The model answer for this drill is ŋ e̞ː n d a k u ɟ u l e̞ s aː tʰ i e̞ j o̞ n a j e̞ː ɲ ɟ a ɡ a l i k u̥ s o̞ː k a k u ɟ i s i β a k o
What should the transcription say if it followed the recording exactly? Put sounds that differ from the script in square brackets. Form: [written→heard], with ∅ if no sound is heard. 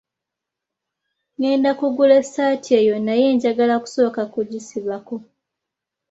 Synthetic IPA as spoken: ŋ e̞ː n d a k u [ɟ→ɡ] u l e̞ s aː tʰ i e̞ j o̞ n a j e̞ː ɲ ɟ a ɡ a l [i→a] k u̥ s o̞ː k a k u ɟ i s i β a k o